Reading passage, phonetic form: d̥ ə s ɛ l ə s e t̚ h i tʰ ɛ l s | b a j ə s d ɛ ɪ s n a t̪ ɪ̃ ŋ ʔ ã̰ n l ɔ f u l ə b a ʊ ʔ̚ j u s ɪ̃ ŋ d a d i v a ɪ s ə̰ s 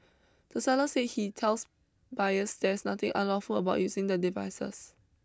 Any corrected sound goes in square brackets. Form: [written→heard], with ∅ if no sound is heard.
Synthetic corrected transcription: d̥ ə s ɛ l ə s e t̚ h i tʰ ɛ l s | b a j ə s d ɛ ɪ s n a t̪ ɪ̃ ŋ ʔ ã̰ n l ɔ f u l ə b a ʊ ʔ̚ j u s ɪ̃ ŋ d [a→ə] d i v a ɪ s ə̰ s